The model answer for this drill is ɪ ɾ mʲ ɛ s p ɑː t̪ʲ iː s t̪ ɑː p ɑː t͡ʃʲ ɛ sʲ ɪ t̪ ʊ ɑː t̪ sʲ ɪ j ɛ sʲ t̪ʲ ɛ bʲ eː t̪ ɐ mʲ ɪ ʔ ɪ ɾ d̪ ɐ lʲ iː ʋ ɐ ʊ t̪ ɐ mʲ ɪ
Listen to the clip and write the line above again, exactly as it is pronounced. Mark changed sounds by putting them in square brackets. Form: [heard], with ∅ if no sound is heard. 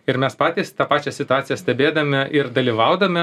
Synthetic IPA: ɪ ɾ mʲ ɛ s p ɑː t̪ʲ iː s t̪ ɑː p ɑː t͡ʃʲ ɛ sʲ ɪ t̪ ʊ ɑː t̪ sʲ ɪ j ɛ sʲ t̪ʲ ɛ bʲ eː [d̪] ɐ mʲ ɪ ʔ ɪ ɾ d̪ ɐ lʲ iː ʋ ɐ ʊ [d̪] ɐ mʲ ɪ